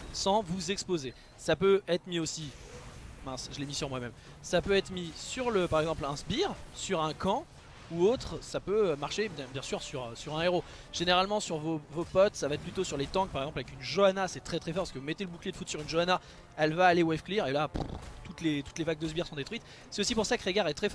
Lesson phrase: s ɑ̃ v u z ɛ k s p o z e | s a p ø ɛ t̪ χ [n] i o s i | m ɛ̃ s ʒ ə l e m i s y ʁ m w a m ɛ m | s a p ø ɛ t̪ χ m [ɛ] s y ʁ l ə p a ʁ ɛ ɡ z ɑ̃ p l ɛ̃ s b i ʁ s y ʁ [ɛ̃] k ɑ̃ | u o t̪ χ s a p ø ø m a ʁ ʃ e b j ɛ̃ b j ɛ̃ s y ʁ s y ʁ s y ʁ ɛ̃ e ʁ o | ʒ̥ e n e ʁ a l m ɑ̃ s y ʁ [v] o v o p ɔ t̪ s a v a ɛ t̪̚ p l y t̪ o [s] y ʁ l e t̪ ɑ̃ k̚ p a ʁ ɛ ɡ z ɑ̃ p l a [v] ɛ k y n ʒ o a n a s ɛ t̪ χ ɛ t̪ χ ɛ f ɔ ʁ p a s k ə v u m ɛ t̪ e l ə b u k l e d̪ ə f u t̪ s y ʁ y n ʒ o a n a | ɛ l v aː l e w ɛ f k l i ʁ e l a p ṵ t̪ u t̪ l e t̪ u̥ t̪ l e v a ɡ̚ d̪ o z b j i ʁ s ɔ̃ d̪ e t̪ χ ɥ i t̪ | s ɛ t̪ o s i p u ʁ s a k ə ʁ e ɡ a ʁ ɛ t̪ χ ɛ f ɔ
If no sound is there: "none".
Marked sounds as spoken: m, i, ɛ̃, v, s, v

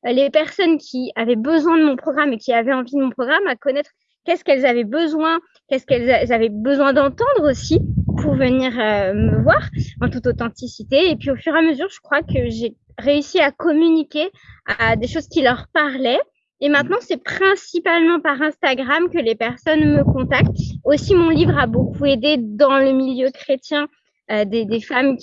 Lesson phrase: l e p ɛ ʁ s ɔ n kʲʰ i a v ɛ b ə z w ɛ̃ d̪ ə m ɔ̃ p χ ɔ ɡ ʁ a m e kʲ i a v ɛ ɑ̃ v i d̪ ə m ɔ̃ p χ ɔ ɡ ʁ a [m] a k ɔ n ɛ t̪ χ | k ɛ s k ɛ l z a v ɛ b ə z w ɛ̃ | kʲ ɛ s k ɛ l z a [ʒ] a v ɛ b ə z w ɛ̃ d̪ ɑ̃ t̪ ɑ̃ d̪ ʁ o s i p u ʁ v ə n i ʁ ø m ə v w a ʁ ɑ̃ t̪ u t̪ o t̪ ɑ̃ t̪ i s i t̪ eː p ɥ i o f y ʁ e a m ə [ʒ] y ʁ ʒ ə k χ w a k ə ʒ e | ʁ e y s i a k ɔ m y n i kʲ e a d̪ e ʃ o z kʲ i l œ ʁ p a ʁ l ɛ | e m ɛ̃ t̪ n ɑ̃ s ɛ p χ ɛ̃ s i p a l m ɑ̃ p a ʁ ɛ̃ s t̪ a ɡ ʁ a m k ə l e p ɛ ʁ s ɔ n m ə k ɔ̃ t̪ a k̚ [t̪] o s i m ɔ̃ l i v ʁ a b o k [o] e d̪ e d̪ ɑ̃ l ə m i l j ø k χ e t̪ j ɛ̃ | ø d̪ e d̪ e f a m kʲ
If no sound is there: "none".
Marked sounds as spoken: m, z, z, t̪, u

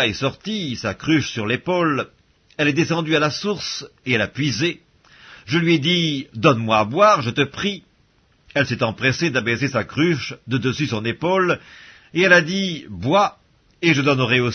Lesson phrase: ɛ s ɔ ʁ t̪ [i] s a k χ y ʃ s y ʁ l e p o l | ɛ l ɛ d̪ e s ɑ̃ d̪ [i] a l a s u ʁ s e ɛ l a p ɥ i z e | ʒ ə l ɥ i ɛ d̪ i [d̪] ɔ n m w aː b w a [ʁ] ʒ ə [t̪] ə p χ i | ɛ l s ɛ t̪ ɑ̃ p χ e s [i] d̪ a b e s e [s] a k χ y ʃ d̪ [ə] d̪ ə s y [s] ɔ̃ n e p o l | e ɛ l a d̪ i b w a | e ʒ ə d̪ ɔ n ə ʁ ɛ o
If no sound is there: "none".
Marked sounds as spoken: i, y, d̪, ʁ, t̪, e, s, ə, s

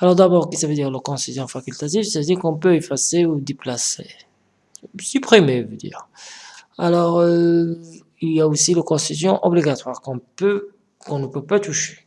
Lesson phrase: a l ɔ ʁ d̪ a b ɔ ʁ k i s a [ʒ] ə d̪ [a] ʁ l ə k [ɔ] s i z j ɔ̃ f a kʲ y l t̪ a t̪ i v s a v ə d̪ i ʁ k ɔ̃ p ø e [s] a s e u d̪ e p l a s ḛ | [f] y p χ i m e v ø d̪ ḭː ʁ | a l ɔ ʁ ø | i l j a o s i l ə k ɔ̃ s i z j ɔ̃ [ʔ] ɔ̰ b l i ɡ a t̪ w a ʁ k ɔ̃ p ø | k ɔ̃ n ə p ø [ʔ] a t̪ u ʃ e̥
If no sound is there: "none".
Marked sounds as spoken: v, i, ɔ̃, f, s, ʔ, p

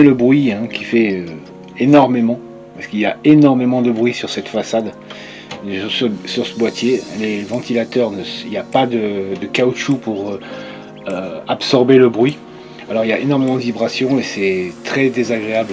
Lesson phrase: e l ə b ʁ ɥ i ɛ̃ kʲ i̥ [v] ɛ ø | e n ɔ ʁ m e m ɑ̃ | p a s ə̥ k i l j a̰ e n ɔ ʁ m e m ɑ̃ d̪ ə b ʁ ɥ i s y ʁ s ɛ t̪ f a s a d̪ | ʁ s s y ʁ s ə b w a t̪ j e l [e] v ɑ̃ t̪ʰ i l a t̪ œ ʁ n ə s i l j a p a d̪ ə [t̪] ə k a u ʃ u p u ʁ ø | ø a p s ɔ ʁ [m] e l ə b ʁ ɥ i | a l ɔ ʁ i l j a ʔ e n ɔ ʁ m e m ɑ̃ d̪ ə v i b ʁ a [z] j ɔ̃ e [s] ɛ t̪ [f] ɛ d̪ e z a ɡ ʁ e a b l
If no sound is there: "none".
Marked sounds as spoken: f, e, d̪, b, s, s, χ

